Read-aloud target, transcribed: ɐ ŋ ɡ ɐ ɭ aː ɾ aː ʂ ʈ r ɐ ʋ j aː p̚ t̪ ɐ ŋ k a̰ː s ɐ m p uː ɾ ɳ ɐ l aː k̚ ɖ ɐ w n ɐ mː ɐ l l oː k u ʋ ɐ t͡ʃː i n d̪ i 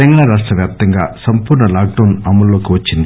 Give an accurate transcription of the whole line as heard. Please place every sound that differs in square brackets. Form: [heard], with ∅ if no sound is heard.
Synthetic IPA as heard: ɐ ŋ ɡ ɐ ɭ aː ɾ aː ʂ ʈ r ɐ ʋ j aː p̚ t̪ ɐ ŋ [ɡ] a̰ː s ɐ m p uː ɾ ɳ ɐ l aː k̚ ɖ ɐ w n ɐ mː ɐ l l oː k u ʋ ɐ t͡ʃː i n d̪ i

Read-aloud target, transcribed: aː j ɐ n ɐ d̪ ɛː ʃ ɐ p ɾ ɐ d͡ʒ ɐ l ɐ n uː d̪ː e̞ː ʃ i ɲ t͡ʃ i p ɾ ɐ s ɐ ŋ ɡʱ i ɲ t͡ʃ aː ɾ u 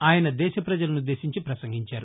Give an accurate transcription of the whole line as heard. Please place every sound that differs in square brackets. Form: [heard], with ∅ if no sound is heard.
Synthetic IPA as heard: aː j ɐ n ɐ d̪ ɛː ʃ ɐ p ɾ ɐ d͡ʒ ɐ l ɐ n [u] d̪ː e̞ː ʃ i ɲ t͡ʃ i p ɾ ɐ s ɐ ŋ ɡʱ i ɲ t͡ʃ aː ɾ u

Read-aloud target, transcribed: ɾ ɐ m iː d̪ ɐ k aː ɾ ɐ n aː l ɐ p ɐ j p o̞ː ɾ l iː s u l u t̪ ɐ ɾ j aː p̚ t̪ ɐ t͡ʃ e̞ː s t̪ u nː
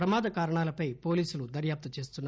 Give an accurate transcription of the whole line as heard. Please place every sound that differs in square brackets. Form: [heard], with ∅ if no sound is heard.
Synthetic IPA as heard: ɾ ɐ m [aː] d̪ ɐ k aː ɾ ɐ [ɳ] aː l ɐ p ɐ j p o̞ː [∅] l iː s u l u [d̪] ɐ ɾ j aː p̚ t̪ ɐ t͡ʃ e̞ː s t̪ u nː

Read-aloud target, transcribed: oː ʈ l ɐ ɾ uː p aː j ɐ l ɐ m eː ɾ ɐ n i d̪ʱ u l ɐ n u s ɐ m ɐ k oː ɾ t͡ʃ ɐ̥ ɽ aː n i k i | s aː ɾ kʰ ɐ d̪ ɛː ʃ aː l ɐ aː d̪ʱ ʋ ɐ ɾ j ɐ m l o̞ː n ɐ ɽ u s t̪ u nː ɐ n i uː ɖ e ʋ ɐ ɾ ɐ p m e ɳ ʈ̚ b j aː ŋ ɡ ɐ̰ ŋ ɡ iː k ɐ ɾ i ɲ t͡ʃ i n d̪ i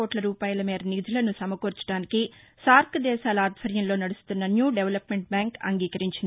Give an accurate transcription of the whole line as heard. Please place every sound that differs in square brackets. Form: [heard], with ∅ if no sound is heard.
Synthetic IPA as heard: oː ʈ l ɐ ɾ uː p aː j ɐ l ɐ m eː ɾ ɐ n i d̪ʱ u l ɐ n u s ɐ m ɐ k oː ɾ t͡ʃ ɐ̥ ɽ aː n i k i | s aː ɾ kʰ ɐ d̪ ɛː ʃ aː l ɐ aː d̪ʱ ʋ ɐ ɾ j ɐ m l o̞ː n ɐ ɽ u s t̪ u nː ɐ n [j] uː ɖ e ʋ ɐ [l] ɐ p m e ɳ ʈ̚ b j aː ŋ [k] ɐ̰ ŋ ɡ iː k ɐ ɾ i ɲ t͡ʃ i n d̪ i

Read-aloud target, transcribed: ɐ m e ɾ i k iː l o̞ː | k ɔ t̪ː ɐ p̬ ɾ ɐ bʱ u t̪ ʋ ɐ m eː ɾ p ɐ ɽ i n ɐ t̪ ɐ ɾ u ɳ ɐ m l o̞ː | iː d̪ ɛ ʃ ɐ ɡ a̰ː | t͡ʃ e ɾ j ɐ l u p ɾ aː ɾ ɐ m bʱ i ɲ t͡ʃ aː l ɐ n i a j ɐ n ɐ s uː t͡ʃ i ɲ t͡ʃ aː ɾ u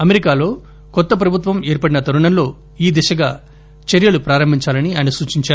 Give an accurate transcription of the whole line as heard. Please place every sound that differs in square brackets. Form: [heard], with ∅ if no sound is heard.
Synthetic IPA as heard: ɐ m e ɾ i k [aː] l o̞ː | k ɔ t̪ː ɐ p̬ ɾ ɐ bʱ u t̪ ʋ ɐ m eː ɾ p ɐ ɽ i n ɐ t̪ ɐ ɾ u ɳ ɐ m l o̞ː | iː d̪ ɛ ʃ ɐ ɡ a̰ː | t͡ʃ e ɾ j ɐ l u p ɾ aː ɾ ɐ m bʱ i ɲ t͡ʃ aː l ɐ n i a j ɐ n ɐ s uː t͡ʃ i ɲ t͡ʃ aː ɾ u

